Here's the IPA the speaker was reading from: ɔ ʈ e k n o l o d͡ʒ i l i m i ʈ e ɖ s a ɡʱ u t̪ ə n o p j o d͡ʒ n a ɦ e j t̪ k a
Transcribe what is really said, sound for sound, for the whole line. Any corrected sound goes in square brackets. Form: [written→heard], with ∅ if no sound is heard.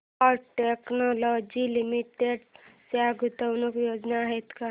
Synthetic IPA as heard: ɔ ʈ e k n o l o d͡ʒ i l i m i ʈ e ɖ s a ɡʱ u t̪ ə n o [p→k] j o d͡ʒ n a ɦ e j t̪ k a